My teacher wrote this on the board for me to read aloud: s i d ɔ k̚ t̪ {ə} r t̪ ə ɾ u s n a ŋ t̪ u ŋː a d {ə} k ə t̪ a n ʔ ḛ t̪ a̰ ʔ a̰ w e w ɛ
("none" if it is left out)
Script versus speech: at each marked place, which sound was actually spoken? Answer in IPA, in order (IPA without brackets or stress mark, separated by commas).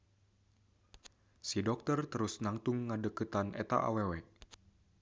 ə, ə